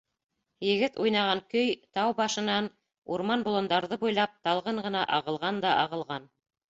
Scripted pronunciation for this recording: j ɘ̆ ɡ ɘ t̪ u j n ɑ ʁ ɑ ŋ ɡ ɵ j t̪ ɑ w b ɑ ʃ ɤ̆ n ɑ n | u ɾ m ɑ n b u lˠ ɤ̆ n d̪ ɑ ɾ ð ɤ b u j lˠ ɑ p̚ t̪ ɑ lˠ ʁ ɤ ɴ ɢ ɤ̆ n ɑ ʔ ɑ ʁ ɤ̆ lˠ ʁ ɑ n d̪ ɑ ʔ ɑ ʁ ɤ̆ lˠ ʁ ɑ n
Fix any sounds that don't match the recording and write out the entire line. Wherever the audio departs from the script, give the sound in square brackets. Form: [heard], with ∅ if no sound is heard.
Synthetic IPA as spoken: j ɘ̆ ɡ ɘ t̪ u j n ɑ ʁ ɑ ŋ [k] ɵ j t̪ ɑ w b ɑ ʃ ɤ̆ n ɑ n | u ɾ m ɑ n b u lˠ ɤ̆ n d̪ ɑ ɾ ð ɤ b u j lˠ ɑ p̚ t̪ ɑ lˠ ʁ ɤ ɴ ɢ ɤ̆ n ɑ ʔ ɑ ʁ ɤ̆ lˠ ʁ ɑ n d̪ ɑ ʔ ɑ ʁ ɤ̆ lˠ ʁ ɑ n